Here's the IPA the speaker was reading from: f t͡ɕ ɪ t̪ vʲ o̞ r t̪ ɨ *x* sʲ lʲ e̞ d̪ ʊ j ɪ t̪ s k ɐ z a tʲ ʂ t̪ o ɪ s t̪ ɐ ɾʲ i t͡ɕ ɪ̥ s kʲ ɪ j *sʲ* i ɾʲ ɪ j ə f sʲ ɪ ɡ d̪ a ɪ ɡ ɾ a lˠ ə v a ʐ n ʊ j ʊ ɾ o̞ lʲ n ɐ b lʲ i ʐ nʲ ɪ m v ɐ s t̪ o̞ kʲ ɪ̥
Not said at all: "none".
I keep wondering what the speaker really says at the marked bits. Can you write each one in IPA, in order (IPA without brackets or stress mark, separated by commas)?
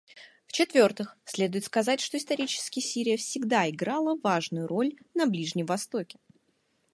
x, sʲ